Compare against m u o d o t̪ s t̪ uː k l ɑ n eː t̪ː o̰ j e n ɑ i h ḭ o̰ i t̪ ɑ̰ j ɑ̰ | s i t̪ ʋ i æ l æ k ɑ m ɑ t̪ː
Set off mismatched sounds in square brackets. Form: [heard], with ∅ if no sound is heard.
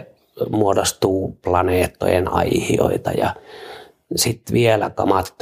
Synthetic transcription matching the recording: m u o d o [∅] s t̪ uː [p] l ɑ n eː t̪ː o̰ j e n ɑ i h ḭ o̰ i t̪ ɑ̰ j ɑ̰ | s i t̪ ʋ i [e] l æ k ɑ m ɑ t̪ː